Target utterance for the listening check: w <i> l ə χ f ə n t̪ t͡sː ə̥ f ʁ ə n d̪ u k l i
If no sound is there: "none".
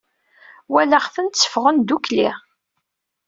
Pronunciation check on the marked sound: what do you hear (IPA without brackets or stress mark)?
æ